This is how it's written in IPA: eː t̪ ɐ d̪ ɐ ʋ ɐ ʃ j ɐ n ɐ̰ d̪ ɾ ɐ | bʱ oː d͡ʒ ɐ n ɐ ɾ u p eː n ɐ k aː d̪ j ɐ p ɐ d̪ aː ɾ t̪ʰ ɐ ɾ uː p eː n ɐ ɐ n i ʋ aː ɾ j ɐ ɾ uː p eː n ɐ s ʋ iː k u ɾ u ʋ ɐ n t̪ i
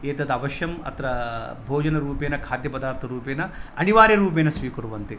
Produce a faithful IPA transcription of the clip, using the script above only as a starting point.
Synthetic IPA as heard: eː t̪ ɐ d̪ ɐ ʋ ɐ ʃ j ɐ m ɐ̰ t̪ ɾ ɐ | bʱ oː d͡ʒ ɐ n ɐ ɾ uː p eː n ɐ kʰ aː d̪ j ɐ p ɐ d̪ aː ɾ t̪ʰ ɐ ɾ uː p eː n ɐ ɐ n i ʋ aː ɾ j ɐ ɾ uː p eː n ɐ s ʋ iː k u ɾ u ʋ ɐ n t̪ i